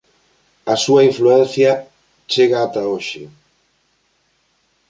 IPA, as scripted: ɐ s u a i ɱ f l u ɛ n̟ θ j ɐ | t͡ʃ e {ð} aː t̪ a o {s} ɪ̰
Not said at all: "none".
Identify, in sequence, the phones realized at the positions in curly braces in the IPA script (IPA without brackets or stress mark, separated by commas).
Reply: ɣ, ʃ